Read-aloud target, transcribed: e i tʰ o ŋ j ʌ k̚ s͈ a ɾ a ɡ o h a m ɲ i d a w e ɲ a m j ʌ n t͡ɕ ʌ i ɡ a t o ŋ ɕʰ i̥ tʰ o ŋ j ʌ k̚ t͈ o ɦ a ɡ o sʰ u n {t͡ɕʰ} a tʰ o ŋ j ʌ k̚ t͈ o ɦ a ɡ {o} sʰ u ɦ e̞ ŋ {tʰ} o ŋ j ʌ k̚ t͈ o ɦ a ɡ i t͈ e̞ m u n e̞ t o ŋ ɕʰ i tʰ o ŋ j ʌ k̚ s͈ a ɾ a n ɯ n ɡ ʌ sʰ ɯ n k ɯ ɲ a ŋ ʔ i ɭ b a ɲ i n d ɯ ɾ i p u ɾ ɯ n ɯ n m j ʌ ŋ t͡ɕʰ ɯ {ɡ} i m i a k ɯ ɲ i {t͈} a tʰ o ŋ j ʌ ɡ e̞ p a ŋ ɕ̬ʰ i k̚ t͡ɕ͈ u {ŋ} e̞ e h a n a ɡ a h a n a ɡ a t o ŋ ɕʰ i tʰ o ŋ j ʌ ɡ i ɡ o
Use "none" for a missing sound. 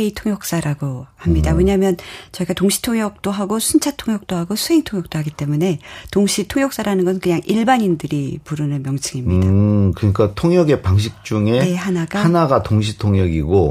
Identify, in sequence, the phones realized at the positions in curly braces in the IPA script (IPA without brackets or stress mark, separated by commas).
t͡ɕʰ, o, tʰ, ŋ, k͈, ŋ